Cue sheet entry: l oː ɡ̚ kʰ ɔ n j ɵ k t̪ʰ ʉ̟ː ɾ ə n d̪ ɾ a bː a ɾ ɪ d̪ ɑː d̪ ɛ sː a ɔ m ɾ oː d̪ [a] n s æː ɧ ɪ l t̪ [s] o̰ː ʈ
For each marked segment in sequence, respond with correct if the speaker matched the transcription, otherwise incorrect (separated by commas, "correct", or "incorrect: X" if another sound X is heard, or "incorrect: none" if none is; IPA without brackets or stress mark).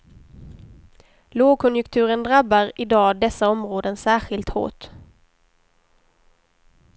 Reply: incorrect: ə, incorrect: h